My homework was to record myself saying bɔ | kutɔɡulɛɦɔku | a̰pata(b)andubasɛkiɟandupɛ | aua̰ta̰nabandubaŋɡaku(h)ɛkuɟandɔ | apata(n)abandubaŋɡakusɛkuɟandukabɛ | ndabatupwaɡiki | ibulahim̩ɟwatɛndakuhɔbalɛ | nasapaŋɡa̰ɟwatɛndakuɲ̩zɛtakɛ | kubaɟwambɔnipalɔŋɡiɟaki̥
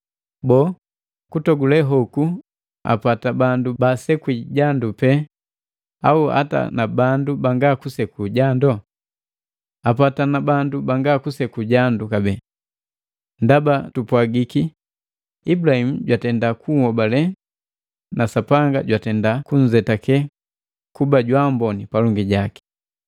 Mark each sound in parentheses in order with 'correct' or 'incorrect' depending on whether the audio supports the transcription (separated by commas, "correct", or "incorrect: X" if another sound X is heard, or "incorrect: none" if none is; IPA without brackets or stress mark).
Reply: correct, incorrect: s, correct